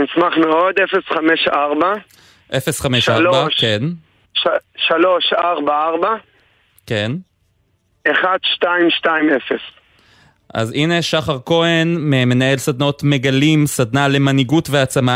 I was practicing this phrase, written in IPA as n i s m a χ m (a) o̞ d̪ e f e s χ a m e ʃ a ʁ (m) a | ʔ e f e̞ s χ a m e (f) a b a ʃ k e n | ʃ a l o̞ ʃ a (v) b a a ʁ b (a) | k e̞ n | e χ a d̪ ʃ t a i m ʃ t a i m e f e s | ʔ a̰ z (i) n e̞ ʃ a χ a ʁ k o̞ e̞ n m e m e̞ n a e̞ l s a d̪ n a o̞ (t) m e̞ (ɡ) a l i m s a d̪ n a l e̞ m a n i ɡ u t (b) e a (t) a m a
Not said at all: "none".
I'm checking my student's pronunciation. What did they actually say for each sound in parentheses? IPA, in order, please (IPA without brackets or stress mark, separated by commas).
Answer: e, b, ʃ, ʁ, a, i, t, ɡ, v, t͡s